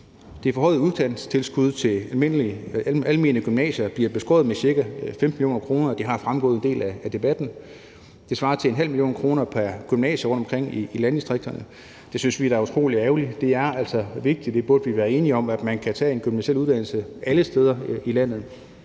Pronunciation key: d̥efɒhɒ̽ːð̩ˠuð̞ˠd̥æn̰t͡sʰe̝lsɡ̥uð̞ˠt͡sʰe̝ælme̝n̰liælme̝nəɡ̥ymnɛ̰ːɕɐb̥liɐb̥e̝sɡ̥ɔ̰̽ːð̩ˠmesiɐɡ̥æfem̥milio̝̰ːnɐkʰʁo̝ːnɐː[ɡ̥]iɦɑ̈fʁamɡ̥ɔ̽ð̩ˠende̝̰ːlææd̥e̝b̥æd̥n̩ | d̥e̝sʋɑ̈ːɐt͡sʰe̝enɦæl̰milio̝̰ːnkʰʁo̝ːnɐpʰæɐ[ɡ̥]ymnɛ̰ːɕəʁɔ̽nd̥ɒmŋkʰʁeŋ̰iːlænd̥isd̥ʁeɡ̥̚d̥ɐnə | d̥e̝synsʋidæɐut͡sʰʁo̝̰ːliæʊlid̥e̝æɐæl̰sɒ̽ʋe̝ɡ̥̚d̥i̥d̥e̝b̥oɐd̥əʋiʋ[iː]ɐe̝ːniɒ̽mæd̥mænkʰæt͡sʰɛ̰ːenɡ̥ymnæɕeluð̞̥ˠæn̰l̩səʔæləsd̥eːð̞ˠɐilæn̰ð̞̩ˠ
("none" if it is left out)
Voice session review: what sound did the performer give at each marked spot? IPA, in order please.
d̥, ɡ̥, æː

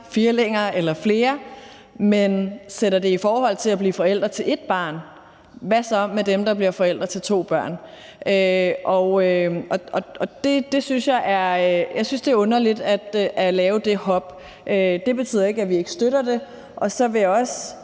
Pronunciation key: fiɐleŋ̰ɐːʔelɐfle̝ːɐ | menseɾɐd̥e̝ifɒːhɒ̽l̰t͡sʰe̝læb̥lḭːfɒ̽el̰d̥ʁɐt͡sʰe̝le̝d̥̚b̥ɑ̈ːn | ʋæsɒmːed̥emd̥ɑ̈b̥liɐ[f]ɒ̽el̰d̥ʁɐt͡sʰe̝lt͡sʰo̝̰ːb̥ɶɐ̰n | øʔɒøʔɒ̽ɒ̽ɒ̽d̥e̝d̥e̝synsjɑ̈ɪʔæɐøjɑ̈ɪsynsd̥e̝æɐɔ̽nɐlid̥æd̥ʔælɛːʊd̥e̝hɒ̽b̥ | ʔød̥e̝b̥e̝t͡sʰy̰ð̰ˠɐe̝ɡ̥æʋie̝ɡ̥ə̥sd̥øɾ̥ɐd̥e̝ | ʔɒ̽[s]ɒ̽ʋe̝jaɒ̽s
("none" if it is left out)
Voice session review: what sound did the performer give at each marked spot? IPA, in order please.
f, s

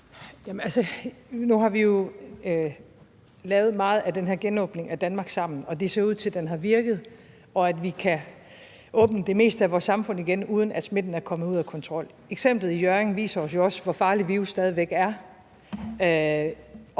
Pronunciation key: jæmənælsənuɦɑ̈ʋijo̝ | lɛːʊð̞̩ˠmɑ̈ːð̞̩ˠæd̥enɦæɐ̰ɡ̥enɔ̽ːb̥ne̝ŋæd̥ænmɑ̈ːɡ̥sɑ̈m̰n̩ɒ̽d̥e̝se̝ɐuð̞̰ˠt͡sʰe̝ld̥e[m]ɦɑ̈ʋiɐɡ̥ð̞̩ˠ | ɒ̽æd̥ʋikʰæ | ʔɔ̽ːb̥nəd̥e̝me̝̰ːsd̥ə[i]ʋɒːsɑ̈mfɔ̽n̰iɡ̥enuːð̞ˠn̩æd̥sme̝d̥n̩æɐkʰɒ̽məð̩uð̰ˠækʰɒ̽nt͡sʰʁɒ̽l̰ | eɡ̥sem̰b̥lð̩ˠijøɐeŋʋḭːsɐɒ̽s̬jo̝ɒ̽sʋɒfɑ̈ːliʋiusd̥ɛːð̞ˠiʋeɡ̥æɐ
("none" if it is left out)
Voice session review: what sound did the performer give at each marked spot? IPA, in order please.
n, æ

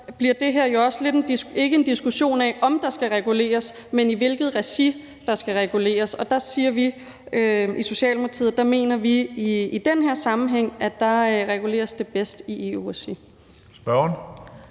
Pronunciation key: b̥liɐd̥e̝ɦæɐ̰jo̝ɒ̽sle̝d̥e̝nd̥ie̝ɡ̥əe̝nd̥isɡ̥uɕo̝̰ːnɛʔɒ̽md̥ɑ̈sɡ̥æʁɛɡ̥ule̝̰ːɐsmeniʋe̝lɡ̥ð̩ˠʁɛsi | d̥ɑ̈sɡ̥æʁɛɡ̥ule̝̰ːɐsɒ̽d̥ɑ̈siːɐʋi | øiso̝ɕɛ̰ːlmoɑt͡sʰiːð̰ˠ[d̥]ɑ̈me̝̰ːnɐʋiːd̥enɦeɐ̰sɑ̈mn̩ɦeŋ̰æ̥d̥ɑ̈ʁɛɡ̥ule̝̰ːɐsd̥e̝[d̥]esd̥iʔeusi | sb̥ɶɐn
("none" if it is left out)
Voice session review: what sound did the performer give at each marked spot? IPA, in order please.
d̥, b̥

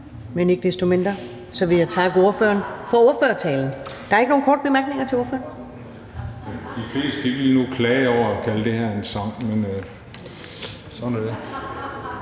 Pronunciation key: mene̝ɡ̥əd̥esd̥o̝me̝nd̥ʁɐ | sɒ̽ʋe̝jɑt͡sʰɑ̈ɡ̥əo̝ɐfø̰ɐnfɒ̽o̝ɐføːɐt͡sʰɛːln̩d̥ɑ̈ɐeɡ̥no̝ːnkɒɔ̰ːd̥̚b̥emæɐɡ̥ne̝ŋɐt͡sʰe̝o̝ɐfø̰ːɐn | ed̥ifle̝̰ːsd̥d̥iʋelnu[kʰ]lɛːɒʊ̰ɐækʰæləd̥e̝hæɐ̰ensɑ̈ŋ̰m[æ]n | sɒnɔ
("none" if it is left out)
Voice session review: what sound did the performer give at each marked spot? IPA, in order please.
kʰ, e

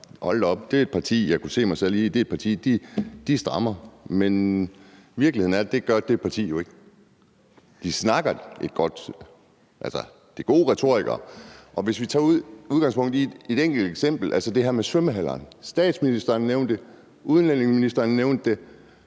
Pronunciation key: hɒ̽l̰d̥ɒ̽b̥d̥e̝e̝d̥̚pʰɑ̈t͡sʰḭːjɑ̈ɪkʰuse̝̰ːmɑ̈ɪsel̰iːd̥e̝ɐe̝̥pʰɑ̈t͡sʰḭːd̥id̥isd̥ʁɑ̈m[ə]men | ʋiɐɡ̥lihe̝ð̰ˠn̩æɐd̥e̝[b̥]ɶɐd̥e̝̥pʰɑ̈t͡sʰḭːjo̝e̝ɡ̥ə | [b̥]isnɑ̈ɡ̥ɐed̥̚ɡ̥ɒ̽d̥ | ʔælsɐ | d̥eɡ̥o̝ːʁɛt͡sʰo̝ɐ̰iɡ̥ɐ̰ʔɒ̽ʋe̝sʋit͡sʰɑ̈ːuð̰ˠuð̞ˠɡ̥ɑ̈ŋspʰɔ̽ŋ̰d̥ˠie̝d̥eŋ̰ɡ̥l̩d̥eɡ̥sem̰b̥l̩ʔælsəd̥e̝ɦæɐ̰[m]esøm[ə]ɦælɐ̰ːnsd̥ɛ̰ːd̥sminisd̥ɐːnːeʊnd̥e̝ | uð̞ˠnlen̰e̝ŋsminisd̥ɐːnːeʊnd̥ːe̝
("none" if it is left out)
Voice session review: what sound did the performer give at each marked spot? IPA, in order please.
ɐ, ɡ̥, d̥, m, ə

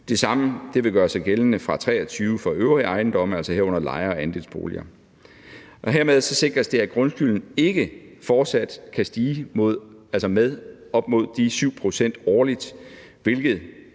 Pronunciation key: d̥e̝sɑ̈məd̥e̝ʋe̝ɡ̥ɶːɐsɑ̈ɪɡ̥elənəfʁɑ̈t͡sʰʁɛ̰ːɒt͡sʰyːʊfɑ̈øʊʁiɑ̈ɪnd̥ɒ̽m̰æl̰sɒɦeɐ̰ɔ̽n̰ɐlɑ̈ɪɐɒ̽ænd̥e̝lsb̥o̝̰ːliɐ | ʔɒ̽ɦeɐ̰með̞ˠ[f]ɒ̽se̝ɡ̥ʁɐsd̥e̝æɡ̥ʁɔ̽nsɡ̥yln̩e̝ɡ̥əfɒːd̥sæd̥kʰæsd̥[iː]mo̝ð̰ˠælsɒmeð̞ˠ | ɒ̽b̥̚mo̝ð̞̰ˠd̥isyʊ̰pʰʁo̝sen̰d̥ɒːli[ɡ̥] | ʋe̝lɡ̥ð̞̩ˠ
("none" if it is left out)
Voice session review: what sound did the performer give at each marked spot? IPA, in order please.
s, iː, d̥

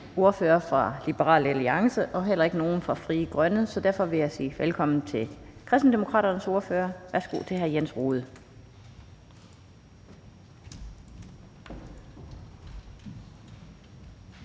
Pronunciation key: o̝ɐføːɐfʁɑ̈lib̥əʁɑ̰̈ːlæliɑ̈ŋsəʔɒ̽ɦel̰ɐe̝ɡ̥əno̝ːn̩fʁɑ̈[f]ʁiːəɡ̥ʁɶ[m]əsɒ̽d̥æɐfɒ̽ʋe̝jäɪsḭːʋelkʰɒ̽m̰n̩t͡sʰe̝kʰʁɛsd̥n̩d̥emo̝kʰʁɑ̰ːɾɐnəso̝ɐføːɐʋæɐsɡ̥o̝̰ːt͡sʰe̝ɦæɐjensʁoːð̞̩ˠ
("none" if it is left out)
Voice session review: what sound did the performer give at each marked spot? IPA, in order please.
f, n

